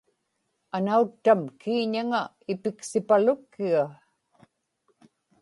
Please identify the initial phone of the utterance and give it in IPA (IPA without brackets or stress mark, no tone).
a